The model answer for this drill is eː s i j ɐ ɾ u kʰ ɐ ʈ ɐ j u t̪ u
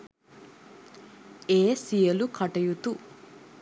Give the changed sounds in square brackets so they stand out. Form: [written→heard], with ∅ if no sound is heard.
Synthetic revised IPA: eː s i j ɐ [ɾ→l] u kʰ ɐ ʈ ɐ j u t̪ u